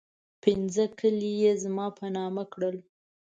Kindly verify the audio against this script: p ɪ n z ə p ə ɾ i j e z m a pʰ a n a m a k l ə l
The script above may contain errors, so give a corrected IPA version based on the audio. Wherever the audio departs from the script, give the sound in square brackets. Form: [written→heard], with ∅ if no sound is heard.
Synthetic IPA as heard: p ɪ n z ə [p→k] ə [ɾ→l] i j e z m [a→ɑ] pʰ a n [a→ɑ] m a k [l→ɽ] ə l